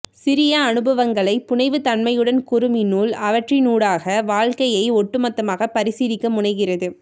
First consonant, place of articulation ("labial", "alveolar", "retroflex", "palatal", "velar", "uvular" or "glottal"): alveolar